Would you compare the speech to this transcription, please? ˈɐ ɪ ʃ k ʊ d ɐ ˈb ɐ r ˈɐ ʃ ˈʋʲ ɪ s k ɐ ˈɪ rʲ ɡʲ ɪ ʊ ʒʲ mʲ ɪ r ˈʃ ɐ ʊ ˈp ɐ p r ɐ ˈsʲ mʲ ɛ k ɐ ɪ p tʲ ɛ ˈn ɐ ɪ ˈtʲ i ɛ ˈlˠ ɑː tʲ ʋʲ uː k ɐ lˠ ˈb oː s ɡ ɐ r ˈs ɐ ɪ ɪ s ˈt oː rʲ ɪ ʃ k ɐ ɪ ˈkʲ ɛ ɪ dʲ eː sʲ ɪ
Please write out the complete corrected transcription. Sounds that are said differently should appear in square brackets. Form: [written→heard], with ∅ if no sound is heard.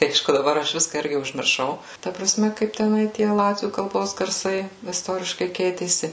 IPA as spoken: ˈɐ ɪ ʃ k ʊ d ɐ ˈb ɐ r ˈɐ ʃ ˈʋʲ ɪ s k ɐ ˈɪ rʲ ɡʲ ɪ ʊ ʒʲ mʲ ɪ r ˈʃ ɐ ʊ [ˈp→ˈt] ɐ p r ɐ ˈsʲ mʲ ɛ k ɐ ɪ p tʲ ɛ ˈn ɐ ɪ ˈtʲ i ɛ ˈlˠ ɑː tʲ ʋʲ uː k ɐ lˠ ˈb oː s ɡ ɐ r ˈs ɐ ɪ ɪ s ˈt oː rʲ ɪ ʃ k ɐ ɪ ˈkʲ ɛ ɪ [dʲ→tʲ] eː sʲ ɪ